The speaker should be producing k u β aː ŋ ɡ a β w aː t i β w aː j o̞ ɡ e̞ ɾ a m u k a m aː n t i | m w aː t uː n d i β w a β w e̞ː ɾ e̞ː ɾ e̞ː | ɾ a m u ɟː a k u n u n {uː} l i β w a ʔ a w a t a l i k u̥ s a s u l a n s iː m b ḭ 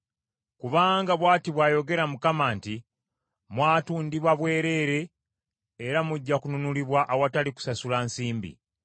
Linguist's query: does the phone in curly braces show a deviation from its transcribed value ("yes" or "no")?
yes